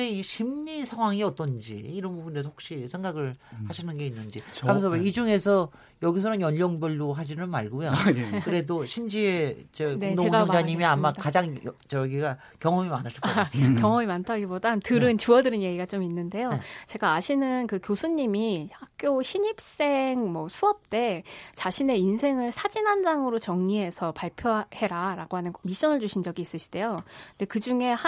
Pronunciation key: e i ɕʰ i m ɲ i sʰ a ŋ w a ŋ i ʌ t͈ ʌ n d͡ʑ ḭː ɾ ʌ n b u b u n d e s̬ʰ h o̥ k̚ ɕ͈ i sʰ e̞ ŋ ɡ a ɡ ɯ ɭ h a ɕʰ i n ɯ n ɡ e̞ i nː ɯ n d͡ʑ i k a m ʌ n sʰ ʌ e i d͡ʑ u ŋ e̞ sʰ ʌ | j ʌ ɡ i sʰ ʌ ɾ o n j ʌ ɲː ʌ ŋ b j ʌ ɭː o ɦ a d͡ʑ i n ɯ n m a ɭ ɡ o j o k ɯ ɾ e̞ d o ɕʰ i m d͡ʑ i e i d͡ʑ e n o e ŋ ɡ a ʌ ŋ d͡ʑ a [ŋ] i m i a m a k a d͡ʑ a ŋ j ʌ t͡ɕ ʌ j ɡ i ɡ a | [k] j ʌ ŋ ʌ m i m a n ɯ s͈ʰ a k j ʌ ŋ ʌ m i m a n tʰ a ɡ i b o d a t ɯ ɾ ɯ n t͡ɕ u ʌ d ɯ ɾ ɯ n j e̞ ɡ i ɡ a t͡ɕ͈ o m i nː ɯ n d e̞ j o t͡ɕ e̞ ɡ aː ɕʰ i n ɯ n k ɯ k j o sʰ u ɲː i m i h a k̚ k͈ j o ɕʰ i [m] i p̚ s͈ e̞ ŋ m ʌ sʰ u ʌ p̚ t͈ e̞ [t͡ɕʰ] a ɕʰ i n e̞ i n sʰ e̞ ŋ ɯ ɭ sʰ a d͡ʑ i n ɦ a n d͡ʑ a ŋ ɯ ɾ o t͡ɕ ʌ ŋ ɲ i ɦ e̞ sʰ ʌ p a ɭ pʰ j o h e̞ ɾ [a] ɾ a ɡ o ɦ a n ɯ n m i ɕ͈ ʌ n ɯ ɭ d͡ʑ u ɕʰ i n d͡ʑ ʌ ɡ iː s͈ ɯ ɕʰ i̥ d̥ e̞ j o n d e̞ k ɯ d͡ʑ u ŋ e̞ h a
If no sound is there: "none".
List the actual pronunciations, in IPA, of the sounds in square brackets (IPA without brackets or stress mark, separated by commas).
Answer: ɲ, k, ɲ, t͡ɕ, a